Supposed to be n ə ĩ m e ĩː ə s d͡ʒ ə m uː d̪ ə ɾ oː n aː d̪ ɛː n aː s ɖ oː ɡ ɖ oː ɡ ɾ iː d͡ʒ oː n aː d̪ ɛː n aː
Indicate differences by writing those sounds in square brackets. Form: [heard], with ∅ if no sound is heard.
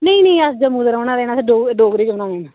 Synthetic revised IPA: n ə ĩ [n] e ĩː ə s d͡ʒ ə m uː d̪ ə ɾ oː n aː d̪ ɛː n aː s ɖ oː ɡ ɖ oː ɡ ɾ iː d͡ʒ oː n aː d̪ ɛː n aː